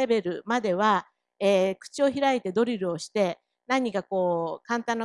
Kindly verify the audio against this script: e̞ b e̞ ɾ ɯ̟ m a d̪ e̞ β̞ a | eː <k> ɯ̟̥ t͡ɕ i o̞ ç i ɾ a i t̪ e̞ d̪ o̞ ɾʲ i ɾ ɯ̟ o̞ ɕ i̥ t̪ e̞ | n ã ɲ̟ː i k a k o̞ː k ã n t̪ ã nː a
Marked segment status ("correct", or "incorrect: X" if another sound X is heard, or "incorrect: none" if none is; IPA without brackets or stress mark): correct